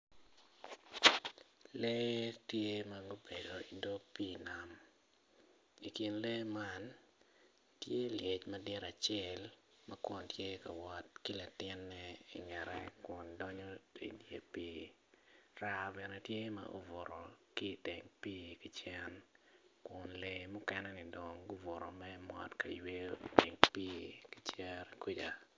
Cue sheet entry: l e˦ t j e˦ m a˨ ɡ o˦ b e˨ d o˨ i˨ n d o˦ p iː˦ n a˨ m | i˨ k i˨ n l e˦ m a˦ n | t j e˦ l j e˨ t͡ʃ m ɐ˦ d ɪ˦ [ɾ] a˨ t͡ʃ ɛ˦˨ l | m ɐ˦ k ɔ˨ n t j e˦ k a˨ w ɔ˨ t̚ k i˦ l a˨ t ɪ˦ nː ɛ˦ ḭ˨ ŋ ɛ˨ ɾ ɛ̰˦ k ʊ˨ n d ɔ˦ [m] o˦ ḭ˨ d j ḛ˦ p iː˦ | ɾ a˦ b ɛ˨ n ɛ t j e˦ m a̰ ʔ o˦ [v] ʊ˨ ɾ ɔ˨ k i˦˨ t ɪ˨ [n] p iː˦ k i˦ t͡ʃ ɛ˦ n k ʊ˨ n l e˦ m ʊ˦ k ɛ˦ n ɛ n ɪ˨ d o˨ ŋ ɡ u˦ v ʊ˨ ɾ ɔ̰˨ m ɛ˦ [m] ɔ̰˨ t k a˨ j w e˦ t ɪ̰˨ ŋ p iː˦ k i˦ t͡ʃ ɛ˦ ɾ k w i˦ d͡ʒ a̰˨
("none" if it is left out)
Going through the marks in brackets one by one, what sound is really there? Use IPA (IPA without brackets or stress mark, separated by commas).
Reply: ɾ, ɲ, v, ŋ, m